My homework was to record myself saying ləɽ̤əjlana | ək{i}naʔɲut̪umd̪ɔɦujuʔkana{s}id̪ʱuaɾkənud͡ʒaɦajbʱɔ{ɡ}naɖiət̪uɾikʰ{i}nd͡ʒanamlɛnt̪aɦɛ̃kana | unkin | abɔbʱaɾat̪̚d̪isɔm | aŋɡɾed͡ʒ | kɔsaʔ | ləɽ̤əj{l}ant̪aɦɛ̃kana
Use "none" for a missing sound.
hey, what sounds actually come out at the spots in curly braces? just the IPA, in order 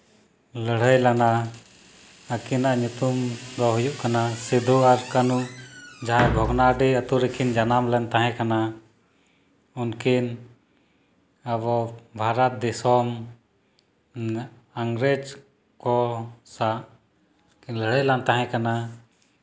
i, s, ɡ, i, l

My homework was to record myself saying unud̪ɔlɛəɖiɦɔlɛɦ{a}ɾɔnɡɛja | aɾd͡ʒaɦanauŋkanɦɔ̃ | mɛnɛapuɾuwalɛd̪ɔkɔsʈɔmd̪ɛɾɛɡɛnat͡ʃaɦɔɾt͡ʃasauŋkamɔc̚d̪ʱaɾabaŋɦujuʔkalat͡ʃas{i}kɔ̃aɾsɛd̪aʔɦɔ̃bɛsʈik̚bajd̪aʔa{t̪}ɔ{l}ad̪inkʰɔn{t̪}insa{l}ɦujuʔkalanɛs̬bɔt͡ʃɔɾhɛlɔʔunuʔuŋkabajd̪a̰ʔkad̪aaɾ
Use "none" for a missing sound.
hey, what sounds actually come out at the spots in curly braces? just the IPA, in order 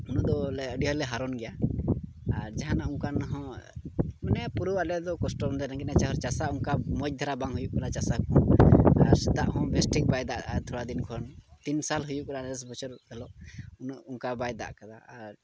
a, a, t̪ʰ, ɽ, t̪, l

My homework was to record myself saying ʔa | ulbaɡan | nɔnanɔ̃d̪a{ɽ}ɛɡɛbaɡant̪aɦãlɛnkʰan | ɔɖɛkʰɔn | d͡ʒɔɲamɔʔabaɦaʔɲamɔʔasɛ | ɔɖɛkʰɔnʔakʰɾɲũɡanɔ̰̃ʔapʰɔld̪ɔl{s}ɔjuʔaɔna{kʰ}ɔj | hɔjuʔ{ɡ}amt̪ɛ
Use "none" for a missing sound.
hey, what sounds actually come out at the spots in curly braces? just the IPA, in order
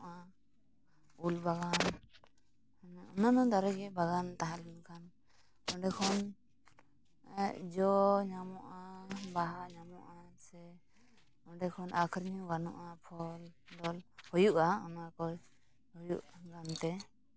ɾ, h, k, ɡ

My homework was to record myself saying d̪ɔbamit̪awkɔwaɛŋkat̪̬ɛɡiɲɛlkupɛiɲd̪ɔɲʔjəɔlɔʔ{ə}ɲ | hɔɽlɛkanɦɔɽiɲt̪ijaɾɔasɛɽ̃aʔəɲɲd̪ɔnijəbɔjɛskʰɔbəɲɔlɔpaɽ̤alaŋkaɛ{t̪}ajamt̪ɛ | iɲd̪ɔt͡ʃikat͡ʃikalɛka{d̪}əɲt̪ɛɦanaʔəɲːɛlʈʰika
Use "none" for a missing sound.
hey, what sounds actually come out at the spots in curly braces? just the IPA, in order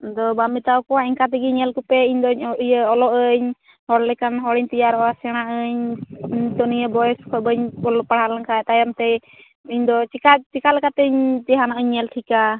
ə, t̪, t̪

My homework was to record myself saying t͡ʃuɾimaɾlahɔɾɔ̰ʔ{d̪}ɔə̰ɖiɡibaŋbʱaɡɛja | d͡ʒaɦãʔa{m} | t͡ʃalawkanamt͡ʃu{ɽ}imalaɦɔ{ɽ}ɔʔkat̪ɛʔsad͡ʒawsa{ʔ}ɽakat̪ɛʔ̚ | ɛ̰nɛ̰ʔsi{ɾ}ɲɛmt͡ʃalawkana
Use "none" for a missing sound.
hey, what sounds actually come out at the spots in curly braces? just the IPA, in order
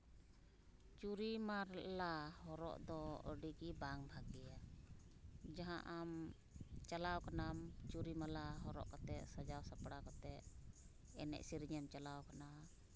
d̪, m, ɾ, ɾ, p, ɾ

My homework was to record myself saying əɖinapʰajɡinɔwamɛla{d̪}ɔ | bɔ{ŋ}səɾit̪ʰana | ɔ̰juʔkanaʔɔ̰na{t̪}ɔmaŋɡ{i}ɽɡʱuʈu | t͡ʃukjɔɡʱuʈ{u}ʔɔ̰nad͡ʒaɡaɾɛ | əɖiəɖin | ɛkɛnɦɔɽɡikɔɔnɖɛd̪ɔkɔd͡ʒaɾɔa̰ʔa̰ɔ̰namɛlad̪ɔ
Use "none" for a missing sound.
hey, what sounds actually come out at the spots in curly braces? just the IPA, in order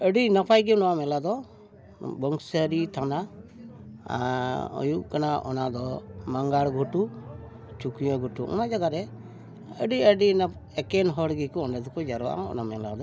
d̪, ŋ, d̪, a, u

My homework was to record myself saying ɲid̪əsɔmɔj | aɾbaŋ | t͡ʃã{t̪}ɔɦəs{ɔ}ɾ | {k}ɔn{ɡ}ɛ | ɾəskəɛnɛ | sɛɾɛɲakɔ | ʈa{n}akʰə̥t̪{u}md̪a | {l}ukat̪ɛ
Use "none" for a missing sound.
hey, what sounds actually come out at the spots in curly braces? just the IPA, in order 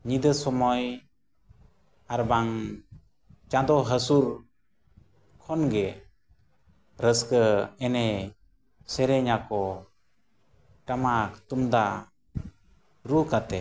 d̪, u, kʰ, ɡ, m, u, ɾ

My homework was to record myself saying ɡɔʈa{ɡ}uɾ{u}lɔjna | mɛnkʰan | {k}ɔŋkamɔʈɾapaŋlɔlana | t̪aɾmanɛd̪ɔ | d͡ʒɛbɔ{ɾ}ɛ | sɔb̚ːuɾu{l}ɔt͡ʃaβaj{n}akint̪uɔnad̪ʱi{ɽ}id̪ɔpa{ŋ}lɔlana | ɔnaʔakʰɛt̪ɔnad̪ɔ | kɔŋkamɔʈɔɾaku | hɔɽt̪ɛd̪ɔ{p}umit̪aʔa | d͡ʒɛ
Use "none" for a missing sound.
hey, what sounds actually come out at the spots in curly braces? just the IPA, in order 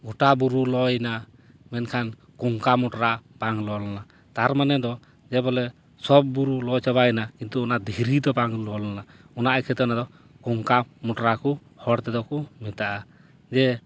b, u, k, l, l, n, ɾ, ŋ, k

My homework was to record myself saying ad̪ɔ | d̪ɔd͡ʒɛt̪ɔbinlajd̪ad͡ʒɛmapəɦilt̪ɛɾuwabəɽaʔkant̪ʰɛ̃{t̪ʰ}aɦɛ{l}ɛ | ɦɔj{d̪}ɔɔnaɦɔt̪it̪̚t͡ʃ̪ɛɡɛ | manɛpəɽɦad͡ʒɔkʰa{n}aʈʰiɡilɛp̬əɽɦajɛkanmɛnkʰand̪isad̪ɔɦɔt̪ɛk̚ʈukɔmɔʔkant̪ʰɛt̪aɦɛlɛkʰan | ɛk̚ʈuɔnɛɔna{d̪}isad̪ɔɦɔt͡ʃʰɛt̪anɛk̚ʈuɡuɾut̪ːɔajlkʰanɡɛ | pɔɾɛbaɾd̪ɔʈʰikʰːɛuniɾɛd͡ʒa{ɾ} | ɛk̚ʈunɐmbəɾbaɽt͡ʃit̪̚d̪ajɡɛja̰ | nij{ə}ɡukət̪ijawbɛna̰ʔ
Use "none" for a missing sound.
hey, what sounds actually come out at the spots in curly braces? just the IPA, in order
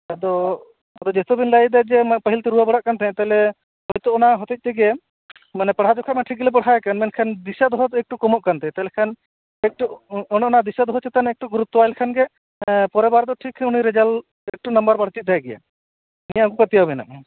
t̪, l, t̪, m, d̪, l, a

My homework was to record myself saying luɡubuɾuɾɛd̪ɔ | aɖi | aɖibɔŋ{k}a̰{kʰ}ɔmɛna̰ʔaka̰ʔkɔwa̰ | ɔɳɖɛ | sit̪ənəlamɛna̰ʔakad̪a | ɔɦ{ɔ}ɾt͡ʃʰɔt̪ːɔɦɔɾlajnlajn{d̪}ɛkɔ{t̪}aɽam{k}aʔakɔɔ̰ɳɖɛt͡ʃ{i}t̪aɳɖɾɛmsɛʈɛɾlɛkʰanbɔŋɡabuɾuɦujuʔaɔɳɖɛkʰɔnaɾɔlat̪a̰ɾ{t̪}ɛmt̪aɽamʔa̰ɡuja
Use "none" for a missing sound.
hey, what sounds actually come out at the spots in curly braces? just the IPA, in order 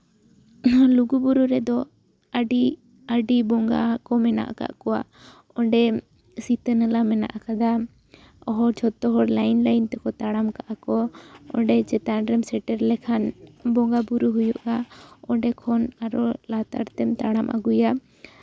ɡ, k, ɔ, t̪, t̪, k, ɛ, t̪

